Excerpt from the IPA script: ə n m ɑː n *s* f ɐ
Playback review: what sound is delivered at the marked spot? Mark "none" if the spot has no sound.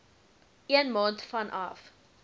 t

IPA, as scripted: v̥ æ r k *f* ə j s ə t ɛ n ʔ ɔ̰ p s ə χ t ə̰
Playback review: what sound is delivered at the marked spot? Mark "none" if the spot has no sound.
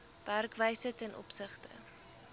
v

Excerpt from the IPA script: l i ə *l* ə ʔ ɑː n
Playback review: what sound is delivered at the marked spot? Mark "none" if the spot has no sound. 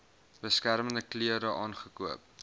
ɾ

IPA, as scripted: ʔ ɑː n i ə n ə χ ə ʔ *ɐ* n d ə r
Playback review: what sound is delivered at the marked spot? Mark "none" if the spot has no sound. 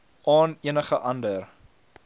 ɐ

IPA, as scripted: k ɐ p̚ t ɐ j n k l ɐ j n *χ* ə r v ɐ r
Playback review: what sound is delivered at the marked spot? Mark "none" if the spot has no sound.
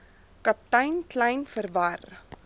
f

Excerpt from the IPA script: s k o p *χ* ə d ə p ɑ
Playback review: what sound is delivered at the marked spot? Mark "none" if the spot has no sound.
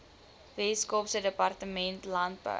s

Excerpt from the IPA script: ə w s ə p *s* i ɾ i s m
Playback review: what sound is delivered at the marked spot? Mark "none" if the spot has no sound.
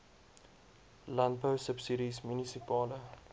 s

